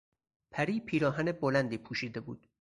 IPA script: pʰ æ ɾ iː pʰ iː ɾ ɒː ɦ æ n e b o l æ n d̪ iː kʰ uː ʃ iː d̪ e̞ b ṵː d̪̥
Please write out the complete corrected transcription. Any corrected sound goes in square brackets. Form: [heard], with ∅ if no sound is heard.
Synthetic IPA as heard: pʰ æ ɾ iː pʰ iː ɾ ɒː ɦ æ n e b o l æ n d̪ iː [pʰ] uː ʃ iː d̪ e̞ b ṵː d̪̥